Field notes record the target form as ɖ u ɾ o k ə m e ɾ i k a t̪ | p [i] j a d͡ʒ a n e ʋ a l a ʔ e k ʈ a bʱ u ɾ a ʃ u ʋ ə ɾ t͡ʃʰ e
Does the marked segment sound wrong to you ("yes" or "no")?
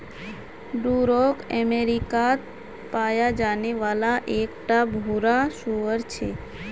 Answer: yes